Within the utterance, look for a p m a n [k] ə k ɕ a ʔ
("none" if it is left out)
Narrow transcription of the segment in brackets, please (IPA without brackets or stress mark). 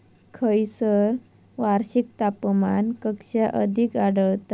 k